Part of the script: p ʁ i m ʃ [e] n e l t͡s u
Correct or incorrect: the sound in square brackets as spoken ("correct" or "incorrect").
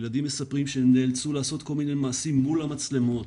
correct